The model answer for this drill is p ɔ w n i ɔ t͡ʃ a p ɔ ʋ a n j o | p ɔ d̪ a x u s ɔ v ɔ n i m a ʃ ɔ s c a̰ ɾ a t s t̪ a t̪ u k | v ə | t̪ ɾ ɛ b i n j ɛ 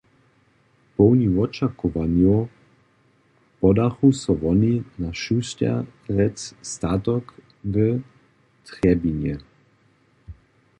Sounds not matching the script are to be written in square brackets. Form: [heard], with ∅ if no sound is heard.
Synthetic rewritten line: p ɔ w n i ɔ t͡ʃ a [k] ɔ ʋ a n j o | p ɔ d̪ a x u s ɔ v ɔ n i [n] a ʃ [u] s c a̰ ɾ [ɛ] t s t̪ a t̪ [ɔ] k | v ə | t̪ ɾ ɛ b i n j ɛ